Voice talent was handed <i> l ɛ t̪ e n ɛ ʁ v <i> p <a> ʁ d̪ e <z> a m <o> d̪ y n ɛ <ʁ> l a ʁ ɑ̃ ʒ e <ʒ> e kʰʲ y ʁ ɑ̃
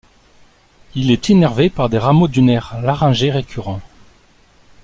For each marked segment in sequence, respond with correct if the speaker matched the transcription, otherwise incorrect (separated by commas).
correct, incorrect, correct, incorrect, correct, correct, incorrect